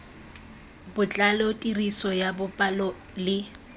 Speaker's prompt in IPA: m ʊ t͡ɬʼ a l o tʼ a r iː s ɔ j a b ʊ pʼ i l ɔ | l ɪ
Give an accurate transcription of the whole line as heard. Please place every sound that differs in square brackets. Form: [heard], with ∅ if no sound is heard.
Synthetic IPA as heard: [b] ʊ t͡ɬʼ a l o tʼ [i] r [i] s ɔ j a b ʊ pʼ [a] l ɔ | l ɪ